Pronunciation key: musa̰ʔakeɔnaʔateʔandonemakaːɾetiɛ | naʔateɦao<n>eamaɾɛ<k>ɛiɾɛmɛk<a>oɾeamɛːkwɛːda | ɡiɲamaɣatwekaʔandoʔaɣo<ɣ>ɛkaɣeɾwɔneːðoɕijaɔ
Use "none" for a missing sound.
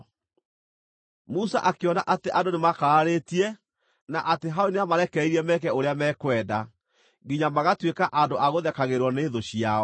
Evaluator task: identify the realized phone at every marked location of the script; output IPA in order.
n, k, ɛ, ð

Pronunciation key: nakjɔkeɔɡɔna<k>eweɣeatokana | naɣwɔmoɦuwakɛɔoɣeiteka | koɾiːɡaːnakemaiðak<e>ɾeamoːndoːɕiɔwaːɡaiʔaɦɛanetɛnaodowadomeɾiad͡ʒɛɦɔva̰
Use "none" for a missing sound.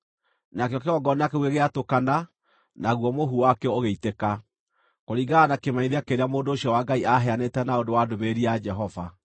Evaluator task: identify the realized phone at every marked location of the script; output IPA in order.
k, e

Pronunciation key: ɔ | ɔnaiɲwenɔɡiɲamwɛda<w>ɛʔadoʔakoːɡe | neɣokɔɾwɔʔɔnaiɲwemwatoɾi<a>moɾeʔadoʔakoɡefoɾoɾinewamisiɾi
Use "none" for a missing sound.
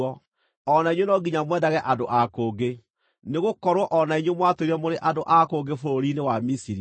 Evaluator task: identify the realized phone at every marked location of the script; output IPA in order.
ɣ, ɛ

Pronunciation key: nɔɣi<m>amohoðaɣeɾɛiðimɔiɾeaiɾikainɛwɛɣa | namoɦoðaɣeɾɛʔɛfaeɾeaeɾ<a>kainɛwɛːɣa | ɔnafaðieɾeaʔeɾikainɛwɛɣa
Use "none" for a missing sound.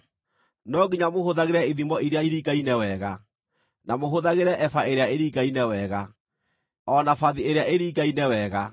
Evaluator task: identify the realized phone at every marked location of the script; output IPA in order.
ɲ, i

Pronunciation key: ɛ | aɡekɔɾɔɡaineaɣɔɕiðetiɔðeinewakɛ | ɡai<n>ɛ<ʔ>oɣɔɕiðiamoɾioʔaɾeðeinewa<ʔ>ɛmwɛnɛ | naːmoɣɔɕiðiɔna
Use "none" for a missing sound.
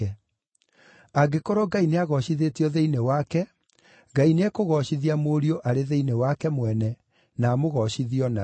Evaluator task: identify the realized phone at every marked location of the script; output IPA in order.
n, k, k

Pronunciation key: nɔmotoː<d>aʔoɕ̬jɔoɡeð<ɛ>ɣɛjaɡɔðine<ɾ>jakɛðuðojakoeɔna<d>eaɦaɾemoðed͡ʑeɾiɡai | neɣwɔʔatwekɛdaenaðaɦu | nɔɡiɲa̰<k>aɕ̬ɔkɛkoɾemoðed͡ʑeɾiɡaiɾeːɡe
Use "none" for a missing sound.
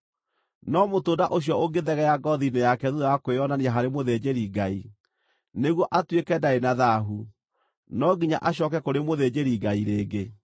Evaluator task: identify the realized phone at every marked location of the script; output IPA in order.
d, ɛ, none, n, ʔ

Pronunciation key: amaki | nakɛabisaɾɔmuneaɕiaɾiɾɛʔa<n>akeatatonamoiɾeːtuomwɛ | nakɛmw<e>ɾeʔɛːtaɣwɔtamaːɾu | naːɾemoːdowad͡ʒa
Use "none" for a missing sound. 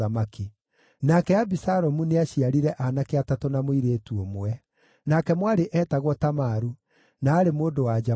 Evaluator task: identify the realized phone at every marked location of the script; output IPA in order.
n, a

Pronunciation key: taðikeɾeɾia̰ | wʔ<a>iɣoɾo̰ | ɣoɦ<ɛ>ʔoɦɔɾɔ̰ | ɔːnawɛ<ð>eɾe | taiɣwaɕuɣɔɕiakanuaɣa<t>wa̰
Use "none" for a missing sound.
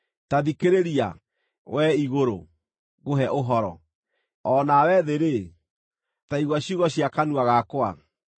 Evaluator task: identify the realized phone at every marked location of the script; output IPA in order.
ɛ, ɛ, ð, k

